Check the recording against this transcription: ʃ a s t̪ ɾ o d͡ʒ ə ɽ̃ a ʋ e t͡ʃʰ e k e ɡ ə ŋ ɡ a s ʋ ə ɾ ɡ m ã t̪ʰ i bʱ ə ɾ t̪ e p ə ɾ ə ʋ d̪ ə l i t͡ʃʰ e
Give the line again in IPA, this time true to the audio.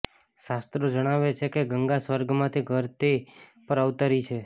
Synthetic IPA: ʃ a s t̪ ɾ o d͡ʒ ə ɽ̃ a ʋ e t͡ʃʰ e k e ɡ ə ŋ ɡ a s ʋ ə ɾ ɡ m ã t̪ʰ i ɡʱ ə ɾ t̪ e p ə ɾ ə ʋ t̪ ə ɾ i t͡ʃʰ e